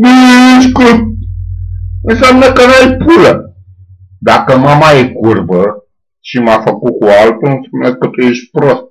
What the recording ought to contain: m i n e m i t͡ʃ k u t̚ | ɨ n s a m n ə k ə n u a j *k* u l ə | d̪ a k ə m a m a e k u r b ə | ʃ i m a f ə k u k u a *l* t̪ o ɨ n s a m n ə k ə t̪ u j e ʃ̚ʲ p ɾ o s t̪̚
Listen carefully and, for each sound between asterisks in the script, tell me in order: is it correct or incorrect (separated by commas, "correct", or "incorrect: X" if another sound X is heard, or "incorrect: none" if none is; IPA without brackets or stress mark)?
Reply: incorrect: p, correct